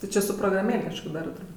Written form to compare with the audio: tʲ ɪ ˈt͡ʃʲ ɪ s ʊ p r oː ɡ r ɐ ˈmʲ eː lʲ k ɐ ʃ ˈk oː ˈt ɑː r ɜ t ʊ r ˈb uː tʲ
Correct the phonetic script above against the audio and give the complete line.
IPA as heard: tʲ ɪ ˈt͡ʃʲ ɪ s ʊ p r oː ɡ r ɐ ˈmʲ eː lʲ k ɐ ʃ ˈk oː ˈd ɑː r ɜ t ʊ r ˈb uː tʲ